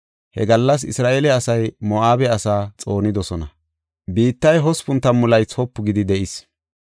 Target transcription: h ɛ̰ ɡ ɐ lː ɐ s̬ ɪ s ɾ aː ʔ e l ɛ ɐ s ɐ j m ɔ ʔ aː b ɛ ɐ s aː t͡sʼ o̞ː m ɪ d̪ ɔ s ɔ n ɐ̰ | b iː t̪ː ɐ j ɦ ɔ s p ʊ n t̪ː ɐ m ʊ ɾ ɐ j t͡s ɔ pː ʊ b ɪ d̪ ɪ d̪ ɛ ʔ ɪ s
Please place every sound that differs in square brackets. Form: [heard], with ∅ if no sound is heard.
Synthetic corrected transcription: h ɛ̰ ɡ ɐ lː ɐ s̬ ɪ s ɾ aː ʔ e l ɛ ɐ s ɐ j m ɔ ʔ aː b ɛ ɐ s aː t͡sʼ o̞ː [n] ɪ d̪ ɔ s ɔ n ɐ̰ | b iː t̪ː ɐ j ɦ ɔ s p ʊ n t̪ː ɐ m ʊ [l] ɐ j t͡s ɔ pː ʊ [ɡ] ɪ d̪ ɪ d̪ ɛ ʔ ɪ s